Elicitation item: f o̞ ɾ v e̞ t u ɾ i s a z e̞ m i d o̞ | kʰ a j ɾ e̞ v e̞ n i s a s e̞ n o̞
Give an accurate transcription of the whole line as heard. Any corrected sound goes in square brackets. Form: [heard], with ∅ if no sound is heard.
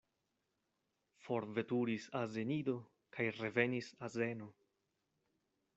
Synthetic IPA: f o̞ ɾ v e̞ t u ɾ i s a z e̞ [n] i d o̞ | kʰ a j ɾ e̞ v e̞ n i s a [z] e̞ n o̞